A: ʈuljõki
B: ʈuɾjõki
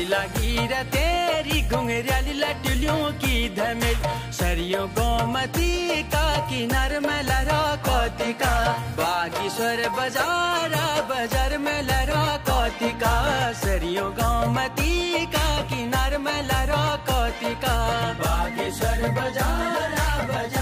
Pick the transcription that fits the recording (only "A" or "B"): A